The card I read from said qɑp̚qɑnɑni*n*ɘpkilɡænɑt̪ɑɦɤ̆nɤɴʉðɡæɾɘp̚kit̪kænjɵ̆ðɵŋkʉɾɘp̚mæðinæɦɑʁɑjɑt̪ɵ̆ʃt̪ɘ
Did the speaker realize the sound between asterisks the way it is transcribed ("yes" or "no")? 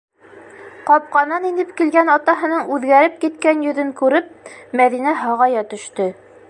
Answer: yes